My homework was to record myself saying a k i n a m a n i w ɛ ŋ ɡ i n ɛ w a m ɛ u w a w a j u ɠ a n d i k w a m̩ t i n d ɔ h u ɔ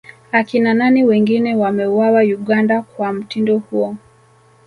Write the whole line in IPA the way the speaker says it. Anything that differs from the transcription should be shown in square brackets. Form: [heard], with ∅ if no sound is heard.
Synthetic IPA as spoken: a k i n a [n] a n i w ɛ ŋ ɡ i n ɛ w a m ɛ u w a w a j u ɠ a n d [a] k w a m̩ t i n d ɔ h u ɔ